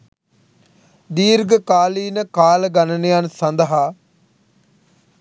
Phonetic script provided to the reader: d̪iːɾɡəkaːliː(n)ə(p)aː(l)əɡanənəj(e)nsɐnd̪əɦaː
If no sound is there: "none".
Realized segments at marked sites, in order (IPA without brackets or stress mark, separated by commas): n, k, l, a